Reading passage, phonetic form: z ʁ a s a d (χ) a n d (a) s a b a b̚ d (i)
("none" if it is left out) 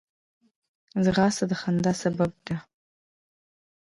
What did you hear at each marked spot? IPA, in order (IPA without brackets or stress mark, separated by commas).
χ, a, a